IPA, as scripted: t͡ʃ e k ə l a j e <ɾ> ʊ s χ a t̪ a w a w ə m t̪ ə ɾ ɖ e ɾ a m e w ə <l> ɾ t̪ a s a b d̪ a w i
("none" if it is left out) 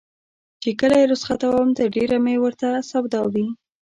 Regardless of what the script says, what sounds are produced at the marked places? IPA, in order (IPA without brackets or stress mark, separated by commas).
ɾ, none